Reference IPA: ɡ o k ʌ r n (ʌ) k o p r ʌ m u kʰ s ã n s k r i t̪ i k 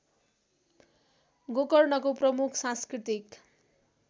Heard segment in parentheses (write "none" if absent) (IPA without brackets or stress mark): ʌ